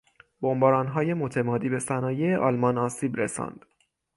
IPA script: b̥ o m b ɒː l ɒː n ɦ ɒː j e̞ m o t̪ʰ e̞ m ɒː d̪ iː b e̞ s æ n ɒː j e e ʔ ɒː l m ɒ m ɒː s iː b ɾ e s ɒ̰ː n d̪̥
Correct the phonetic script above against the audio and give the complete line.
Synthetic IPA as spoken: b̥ o m b ɒː ɾ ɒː n ɦ ɒː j e̞ m o t̪ʰ e̞ m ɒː d̪ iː b e̞ s æ n ɒː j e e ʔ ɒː l m ɒ n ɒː s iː b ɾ e s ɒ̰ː n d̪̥

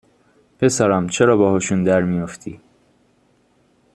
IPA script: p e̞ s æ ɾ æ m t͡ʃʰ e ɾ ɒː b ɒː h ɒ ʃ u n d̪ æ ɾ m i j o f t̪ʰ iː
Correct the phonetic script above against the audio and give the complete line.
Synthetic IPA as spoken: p e̞ s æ ɾ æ m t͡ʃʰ e ɾ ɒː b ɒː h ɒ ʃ u n d̪ æ ɾ m i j o f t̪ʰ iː

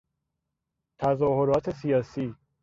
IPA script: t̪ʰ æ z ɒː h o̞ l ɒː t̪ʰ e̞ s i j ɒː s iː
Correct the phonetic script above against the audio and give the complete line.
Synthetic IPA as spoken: t̪ʰ æ z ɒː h o̞ ɾ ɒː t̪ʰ e̞ s i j ɒː s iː

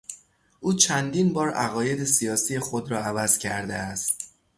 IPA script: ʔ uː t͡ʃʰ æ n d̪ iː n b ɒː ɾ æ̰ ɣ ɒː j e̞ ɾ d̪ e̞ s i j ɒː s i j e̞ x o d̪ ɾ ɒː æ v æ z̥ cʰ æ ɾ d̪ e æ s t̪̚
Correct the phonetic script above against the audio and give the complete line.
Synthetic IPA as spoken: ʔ uː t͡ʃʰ æ n d̪ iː n b ɒː ɾ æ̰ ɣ ɒː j e̞ d̪ e̞ s i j ɒː s i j e̞ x o d̪ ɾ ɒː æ v æ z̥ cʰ æ ɾ d̪ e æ s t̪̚

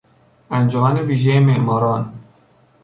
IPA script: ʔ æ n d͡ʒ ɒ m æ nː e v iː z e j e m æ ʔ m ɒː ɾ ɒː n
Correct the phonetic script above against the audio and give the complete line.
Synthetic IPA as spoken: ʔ æ n d͡ʒ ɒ m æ n e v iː ʒ e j e m e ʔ m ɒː ɾ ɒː n

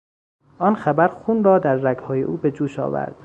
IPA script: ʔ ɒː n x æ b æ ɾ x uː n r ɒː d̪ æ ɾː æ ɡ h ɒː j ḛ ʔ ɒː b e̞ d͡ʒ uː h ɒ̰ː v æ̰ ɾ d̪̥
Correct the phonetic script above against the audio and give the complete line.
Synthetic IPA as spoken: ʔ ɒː n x æ b æ ɾ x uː n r ɒː d̪ æ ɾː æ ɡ h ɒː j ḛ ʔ uː b e̞ d͡ʒ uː ʃ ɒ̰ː v æ̰ ɾ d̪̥

